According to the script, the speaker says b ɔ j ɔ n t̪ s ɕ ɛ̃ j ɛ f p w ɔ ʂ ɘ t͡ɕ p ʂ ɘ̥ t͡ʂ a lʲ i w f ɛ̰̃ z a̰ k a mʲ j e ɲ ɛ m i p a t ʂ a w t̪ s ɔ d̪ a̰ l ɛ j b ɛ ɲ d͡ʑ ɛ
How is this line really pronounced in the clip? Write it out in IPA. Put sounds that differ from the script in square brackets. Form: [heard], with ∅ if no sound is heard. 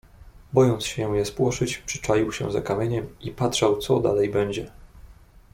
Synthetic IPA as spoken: b ɔ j ɔ n t̪ s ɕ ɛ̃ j ɛ [s] p w ɔ ʂ ɘ t͡ɕ p ʂ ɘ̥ t͡ʂ a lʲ i w [ɕ] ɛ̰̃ z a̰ k a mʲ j e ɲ ɛ m i p a t ʂ a w t̪ s ɔ d̪ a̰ l ɛ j b ɛ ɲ d͡ʑ ɛ